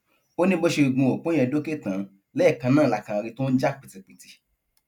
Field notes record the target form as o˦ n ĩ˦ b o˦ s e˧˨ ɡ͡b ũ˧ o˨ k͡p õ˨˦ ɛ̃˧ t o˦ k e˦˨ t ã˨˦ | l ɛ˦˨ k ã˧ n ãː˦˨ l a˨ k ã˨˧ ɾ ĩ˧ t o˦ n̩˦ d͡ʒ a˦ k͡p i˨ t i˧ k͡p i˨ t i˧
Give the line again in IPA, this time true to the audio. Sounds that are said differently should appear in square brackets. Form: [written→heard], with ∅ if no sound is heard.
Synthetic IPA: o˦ n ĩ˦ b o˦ [s→ʃ] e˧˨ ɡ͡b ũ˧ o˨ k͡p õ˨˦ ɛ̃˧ [t→d] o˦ k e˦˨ t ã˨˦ | l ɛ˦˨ k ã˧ n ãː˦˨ l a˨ k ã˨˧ ɾ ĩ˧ t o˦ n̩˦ d͡ʒ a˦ k͡p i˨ t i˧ k͡p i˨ t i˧